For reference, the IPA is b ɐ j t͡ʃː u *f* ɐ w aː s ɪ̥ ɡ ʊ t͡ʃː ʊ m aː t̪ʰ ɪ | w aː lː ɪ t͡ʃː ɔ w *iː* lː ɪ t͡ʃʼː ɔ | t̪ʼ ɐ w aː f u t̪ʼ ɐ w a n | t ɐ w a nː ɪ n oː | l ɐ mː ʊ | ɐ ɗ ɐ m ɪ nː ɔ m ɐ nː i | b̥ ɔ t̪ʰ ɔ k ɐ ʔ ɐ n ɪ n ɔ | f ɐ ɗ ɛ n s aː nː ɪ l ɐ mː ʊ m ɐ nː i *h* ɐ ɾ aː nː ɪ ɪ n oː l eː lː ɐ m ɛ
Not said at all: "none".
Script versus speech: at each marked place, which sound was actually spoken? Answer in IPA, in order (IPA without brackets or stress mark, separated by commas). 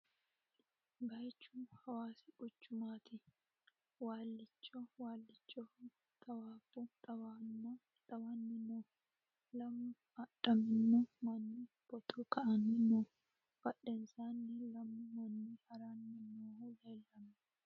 h, aː, h